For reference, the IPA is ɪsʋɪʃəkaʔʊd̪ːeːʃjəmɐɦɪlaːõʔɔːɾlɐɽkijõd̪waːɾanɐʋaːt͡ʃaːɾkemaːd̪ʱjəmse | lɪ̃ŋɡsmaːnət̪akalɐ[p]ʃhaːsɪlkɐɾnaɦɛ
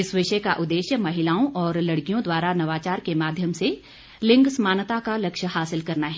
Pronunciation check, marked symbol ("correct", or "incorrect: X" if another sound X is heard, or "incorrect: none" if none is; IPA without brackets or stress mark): incorrect: k